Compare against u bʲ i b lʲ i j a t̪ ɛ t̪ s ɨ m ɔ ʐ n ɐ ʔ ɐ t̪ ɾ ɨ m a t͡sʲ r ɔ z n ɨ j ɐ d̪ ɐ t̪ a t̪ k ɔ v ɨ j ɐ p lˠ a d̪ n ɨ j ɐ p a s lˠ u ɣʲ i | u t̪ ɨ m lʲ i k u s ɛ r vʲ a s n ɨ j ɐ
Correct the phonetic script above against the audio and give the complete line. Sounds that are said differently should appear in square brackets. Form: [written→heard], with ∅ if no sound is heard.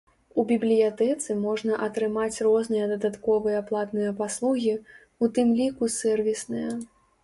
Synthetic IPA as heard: u bʲ i b lʲ i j a t̪ ɛ t̪ s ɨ m ɔ ʐ n ɐ ʔ ɐ t̪ ɾ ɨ m a t͡sʲ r ɔ z n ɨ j ɐ d̪ ɐ [t̪→d̪] a t̪ k ɔ v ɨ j ɐ p lˠ a [d̪→t̪] n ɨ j ɐ p a s lˠ u ɣʲ i | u t̪ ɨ m lʲ i k u s ɛ r vʲ [a→i] s n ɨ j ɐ